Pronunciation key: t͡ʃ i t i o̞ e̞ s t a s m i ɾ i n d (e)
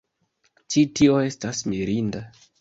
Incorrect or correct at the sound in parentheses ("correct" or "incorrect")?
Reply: incorrect